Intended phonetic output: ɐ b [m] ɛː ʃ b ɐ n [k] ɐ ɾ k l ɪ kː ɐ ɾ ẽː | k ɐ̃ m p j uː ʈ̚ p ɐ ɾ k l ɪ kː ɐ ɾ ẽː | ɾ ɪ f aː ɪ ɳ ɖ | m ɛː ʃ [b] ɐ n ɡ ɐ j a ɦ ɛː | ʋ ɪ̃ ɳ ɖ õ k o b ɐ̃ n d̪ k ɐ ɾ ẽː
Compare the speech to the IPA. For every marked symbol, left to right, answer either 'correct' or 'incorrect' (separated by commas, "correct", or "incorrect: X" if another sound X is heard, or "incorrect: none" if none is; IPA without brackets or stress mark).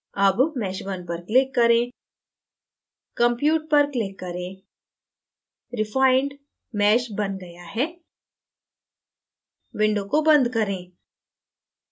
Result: correct, incorrect: p, correct